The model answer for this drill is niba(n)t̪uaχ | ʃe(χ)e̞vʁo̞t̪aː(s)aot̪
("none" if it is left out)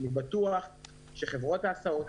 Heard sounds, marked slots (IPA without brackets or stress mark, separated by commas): none, χ, s